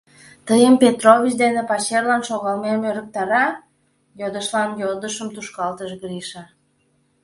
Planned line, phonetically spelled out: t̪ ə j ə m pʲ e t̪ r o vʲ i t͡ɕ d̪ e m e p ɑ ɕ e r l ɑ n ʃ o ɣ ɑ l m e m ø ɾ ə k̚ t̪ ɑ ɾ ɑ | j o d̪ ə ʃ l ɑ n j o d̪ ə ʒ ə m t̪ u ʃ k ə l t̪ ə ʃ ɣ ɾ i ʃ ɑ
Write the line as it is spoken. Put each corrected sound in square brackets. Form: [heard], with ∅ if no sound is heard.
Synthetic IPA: t̪ ə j ə m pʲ e t̪ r o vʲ i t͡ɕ d̪ e [n] e p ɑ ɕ e r l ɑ n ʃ o ɣ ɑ l m e m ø ɾ ə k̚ t̪ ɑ ɾ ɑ | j o d̪ ə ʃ l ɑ n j o d̪ ə [ʃ] ə m t̪ u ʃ k [ɑ] l t̪ ə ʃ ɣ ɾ i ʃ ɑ